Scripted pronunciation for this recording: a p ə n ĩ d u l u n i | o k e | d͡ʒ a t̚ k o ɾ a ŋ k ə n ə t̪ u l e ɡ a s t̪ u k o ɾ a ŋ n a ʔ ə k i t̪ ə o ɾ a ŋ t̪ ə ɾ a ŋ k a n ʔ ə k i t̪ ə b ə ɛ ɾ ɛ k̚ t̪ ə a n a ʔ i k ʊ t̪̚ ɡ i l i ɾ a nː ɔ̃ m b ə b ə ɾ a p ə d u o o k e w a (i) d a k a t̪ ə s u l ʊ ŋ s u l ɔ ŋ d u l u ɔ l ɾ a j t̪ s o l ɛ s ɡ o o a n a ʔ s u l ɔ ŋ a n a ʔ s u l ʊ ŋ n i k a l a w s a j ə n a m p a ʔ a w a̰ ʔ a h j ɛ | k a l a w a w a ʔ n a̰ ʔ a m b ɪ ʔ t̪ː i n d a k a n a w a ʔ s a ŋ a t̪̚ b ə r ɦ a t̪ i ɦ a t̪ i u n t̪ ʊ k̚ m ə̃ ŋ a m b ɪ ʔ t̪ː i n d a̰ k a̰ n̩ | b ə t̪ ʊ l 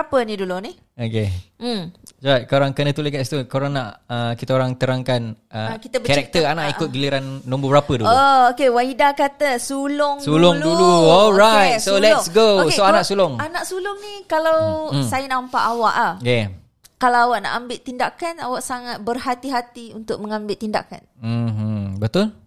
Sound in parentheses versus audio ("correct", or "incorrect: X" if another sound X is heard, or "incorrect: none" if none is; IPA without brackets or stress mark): correct